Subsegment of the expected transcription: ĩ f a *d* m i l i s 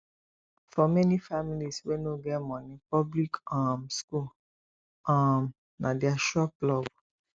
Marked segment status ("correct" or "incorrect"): incorrect